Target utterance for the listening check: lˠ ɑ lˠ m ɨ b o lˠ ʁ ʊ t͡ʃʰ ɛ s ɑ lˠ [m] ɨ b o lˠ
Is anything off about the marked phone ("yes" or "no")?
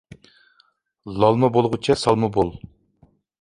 no